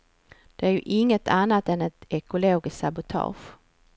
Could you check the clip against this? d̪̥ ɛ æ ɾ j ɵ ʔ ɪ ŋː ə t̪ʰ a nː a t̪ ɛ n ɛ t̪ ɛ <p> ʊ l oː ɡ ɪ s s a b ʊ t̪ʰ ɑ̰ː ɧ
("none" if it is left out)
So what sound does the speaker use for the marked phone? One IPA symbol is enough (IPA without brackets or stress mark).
k